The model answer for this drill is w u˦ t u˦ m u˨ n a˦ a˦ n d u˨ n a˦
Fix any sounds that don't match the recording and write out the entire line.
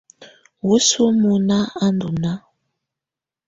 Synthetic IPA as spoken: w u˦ s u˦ m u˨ n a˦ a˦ n d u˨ n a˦